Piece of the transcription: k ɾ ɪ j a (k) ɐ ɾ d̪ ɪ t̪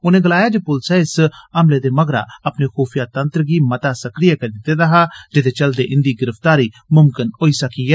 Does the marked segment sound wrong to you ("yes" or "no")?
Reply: no